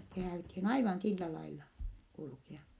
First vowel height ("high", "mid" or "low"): mid